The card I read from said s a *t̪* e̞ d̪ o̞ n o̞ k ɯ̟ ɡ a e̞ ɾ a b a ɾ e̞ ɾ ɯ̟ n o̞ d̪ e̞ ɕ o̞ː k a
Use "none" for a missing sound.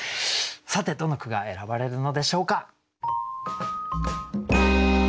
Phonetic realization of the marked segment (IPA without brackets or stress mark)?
t̪